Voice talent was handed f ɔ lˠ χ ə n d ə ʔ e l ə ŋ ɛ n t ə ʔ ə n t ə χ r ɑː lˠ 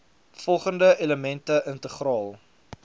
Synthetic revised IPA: f ɔ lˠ χ ə n d ə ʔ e l ə m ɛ n t ə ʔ ə n t ə χ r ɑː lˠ